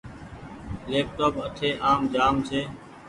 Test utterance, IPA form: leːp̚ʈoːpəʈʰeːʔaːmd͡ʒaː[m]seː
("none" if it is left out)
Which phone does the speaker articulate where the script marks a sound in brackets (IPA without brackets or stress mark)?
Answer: m